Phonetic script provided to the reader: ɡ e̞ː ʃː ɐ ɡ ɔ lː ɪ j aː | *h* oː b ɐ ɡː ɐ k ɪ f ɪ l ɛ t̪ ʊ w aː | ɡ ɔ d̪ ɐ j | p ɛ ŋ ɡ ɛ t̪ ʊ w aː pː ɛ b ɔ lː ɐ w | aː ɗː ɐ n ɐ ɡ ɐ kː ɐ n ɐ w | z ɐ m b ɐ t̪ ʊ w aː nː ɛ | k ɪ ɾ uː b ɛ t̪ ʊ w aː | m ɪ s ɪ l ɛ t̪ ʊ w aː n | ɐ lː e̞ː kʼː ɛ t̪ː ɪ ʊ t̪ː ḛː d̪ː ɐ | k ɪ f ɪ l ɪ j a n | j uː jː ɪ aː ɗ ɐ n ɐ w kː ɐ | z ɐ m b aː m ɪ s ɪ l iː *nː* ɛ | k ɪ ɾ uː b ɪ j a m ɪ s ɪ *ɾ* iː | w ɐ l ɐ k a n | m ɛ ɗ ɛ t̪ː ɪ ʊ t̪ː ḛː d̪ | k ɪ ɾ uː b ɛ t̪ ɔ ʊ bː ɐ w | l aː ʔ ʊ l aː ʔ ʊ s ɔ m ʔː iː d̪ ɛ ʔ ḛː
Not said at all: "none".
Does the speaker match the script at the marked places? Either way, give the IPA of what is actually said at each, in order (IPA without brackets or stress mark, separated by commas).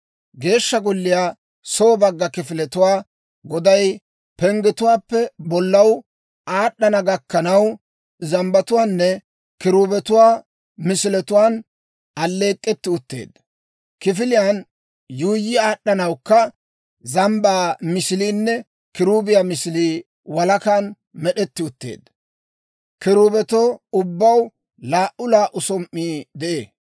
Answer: s, nː, l